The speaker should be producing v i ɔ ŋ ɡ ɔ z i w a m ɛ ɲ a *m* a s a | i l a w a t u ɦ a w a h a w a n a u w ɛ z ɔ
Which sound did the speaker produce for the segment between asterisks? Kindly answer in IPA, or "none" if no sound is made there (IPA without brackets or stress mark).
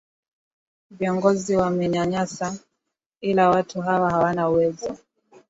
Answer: ɲ